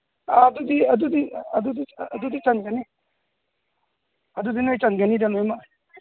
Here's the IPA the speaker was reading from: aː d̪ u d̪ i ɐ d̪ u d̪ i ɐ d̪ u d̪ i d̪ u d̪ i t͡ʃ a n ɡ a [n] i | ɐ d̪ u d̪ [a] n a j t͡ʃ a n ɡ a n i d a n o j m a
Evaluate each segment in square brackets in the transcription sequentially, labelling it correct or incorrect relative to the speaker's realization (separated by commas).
correct, incorrect